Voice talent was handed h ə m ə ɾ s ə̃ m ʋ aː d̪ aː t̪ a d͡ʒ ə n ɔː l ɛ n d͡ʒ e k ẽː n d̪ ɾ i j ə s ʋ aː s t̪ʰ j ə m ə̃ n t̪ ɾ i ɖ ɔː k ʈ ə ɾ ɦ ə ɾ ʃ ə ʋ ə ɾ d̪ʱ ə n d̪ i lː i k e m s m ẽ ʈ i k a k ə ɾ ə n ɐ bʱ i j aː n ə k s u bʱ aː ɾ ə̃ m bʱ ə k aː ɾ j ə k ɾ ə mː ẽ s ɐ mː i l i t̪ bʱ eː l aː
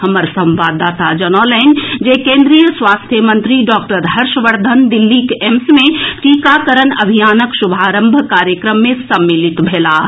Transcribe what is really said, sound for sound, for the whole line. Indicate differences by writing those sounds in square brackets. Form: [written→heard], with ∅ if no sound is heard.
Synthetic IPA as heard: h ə m ə ɾ s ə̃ m ʋ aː d̪ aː t̪ a d͡ʒ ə n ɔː l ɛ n d͡ʒ e k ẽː n d̪ ɾ i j ə s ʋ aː s t̪ʰ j ə m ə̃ n t̪ ɾ i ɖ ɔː k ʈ ə ɾ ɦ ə ɾ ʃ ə ʋ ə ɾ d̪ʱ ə n d̪ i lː i k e m s m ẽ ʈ i k a k ə ɾ ə n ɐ bʱ i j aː n ə k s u bʱ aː ɾ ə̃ m bʱ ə k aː ɾ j ə k ɾ ə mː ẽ s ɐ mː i l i t̪ bʱ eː l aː